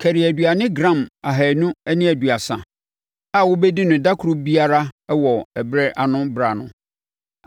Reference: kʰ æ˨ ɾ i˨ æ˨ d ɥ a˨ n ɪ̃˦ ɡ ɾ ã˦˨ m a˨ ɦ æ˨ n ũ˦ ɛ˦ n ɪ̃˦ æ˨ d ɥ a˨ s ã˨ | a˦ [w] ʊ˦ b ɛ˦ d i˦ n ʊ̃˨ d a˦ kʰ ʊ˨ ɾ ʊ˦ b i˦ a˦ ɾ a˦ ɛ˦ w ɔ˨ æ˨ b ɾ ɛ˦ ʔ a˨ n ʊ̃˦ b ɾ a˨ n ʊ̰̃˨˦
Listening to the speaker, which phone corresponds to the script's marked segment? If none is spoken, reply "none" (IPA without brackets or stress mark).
w